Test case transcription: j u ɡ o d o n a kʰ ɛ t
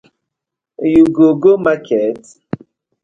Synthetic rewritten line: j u ɡ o ɡ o m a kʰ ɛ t